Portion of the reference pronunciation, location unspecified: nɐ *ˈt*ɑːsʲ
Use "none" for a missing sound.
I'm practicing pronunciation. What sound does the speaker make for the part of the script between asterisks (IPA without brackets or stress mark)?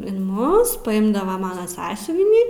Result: s